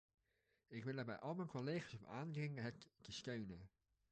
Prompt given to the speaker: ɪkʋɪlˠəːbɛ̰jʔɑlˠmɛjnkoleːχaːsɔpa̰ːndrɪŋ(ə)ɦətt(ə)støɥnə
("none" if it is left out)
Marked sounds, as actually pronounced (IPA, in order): ə, ə

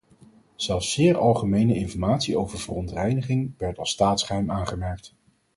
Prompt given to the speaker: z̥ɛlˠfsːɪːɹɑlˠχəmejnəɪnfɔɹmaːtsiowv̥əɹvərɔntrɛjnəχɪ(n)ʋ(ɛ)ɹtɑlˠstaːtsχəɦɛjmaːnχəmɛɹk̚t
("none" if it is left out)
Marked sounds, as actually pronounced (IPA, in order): ŋ, ɛ

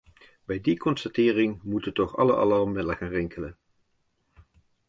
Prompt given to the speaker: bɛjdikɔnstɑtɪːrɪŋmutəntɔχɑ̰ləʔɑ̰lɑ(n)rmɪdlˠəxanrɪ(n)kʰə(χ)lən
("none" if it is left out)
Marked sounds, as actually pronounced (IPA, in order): none, ŋ, none

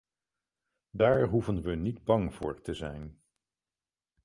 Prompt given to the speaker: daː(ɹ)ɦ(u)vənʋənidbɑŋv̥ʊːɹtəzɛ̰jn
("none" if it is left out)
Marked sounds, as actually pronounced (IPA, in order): ɹ, u

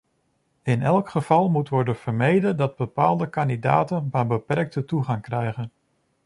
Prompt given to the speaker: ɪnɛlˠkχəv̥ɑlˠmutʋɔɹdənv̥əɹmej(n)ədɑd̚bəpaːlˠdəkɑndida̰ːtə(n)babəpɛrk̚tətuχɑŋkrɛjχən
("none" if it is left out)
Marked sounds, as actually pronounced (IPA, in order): d, n

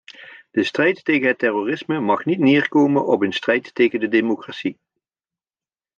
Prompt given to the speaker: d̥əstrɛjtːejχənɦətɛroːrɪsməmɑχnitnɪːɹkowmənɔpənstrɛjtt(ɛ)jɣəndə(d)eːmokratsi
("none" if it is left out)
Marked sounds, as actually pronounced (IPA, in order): e, d

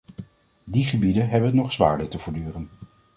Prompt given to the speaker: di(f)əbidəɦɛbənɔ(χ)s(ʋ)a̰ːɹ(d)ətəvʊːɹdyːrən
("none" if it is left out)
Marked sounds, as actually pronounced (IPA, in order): χ, χ, ʋ, d

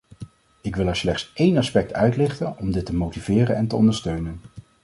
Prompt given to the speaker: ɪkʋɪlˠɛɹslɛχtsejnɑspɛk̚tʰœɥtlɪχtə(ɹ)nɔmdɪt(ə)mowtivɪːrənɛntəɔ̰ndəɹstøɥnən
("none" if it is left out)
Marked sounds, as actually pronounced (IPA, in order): none, ə

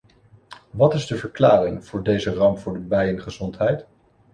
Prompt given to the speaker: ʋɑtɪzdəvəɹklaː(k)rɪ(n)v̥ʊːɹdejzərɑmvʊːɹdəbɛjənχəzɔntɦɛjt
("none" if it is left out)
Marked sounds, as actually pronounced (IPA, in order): none, ŋ

